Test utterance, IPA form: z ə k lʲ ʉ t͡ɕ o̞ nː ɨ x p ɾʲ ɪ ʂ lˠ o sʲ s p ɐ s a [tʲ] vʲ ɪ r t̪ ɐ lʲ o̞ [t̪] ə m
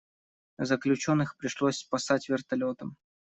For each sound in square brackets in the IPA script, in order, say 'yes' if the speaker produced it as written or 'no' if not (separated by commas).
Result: yes, yes